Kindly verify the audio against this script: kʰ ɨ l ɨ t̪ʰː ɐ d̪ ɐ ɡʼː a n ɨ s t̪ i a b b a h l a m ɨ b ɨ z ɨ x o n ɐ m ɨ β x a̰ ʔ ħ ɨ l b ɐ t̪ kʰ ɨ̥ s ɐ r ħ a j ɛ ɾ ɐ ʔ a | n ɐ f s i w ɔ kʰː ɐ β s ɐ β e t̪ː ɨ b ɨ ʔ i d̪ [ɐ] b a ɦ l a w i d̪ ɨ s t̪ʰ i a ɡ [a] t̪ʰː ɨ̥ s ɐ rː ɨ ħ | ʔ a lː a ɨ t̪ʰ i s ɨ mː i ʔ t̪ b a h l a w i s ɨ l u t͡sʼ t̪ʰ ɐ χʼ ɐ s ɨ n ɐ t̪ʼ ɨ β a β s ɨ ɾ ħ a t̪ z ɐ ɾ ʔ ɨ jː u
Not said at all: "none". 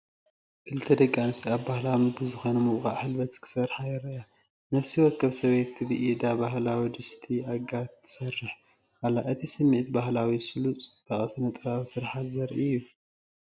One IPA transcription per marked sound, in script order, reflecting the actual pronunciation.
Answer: a, a

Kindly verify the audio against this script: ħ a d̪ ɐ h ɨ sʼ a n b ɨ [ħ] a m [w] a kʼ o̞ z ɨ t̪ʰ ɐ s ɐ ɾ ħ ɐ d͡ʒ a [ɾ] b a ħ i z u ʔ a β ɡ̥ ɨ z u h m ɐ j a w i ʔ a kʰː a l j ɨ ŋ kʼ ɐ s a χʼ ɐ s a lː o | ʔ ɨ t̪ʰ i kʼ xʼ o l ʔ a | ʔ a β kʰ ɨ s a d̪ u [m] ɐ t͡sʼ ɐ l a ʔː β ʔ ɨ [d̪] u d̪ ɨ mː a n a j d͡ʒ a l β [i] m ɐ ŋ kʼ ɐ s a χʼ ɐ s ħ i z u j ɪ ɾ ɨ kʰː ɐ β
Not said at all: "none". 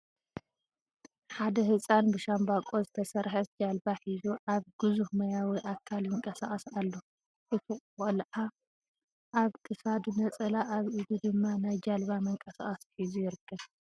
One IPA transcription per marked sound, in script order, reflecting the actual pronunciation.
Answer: ʃ, b, l, n, d̪, a

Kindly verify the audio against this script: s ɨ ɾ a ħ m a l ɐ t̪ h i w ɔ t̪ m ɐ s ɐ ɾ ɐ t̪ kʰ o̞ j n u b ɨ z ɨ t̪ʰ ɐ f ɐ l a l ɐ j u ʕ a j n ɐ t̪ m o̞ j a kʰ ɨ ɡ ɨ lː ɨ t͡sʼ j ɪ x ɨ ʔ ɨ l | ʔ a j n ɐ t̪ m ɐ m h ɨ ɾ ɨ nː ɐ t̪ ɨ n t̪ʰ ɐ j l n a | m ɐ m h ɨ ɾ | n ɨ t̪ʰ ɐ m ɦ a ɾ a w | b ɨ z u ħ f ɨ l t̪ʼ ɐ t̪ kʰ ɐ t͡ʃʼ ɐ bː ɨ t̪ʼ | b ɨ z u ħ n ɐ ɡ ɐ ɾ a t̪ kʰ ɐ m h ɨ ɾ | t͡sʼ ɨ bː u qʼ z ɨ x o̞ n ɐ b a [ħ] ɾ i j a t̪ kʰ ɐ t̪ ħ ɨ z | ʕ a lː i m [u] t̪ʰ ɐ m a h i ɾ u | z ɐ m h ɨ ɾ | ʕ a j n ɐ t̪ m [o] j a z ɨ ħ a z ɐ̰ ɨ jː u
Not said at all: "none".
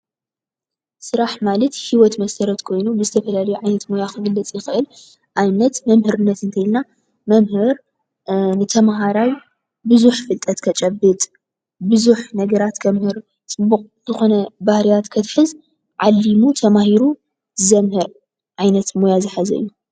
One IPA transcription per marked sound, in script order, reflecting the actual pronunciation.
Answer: h, u, o

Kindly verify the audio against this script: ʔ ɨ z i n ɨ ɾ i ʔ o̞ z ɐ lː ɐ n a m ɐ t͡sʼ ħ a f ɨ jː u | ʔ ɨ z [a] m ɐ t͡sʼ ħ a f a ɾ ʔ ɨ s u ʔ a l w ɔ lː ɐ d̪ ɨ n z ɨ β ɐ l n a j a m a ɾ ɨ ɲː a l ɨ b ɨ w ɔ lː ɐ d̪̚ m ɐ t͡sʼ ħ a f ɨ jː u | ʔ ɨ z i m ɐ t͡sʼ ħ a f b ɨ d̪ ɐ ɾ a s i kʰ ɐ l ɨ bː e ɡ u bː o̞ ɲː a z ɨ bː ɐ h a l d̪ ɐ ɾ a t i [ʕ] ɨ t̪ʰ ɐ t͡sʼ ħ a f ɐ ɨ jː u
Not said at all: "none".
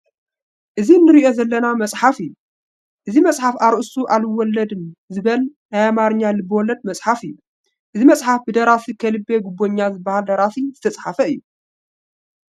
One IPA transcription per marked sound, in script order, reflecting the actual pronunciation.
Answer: i, z

